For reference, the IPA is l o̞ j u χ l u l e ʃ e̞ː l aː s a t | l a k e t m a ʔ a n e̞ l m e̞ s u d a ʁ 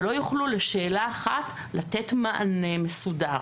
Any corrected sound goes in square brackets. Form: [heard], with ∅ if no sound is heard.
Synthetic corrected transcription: l o̞ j u χ l u l e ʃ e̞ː l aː [χ] a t | l a [t] e t m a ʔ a n e̞ [∅] m e̞ s u d a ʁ